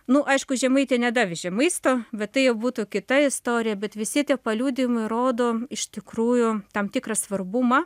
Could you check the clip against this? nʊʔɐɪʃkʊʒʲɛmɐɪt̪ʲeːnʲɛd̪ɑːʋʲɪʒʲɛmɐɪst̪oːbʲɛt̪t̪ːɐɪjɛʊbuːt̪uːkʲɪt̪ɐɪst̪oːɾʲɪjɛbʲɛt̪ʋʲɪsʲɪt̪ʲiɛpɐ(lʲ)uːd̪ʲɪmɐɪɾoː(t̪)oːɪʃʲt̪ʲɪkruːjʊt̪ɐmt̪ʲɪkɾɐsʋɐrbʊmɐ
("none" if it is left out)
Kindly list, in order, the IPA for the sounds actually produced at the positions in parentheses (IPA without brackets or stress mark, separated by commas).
lʲ, d̪